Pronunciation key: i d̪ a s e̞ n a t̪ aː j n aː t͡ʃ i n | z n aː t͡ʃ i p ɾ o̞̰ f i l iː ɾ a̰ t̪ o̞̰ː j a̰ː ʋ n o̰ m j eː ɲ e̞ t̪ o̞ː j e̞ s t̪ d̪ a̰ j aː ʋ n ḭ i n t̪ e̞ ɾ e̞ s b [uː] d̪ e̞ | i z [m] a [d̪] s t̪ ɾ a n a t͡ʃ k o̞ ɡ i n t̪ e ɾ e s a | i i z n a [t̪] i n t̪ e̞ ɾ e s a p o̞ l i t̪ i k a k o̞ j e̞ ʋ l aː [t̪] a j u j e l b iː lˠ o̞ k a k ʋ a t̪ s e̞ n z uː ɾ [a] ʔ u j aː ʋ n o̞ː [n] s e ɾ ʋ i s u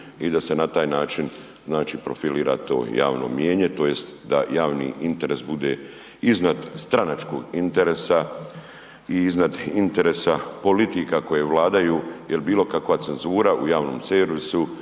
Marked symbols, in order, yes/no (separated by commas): no, no, yes, no, no, yes, no